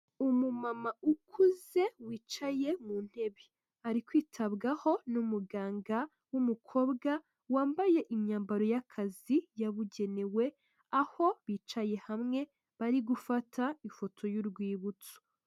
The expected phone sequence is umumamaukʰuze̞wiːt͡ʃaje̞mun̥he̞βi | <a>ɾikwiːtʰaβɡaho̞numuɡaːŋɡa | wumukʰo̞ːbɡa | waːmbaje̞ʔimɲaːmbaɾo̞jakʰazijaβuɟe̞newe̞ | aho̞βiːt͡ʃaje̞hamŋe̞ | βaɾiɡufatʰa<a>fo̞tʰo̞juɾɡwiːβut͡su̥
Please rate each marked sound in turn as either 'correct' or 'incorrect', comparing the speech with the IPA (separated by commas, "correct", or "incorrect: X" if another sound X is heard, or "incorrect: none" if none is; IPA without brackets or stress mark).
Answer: correct, incorrect: i